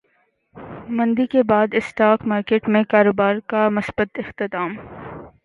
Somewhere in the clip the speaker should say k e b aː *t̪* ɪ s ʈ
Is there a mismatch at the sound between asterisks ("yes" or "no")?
yes